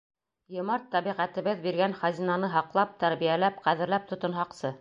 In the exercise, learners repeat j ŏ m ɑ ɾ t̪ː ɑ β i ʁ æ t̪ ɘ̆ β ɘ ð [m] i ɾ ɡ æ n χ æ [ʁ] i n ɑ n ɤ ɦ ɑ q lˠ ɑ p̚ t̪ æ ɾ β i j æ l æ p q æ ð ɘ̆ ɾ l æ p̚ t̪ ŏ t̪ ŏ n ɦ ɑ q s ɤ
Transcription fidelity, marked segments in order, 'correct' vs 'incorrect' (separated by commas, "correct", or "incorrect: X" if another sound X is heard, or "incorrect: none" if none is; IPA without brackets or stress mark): incorrect: b, incorrect: z